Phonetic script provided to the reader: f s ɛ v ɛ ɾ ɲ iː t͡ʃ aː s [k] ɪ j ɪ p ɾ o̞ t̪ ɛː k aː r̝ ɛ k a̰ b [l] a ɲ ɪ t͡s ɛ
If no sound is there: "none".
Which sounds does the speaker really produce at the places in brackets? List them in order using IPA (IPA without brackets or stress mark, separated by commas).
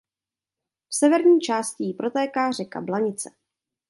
c, l